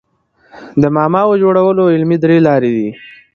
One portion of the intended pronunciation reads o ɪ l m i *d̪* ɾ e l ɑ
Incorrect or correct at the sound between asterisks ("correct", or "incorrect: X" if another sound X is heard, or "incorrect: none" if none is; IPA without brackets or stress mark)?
correct